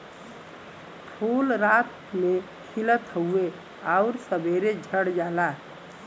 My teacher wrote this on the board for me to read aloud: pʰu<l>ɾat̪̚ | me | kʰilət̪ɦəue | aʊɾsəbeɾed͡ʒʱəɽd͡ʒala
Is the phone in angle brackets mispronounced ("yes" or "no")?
no